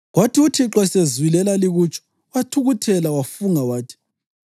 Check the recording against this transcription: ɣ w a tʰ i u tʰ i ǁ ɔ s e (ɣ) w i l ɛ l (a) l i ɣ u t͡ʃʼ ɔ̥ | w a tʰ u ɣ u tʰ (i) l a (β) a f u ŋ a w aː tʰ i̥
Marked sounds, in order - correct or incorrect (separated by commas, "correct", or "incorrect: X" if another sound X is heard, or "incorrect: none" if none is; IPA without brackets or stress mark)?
incorrect: z, correct, incorrect: ɛ, incorrect: w